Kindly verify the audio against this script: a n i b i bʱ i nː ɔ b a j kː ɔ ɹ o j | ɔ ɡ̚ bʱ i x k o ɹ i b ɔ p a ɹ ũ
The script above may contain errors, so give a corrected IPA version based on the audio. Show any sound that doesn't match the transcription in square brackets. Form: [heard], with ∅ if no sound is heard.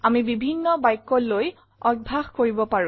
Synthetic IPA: a [m] i b i bʱ i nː ɔ b a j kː ɔ [l] o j | ɔ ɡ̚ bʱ [a] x k o ɹ i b ɔ p a ɹ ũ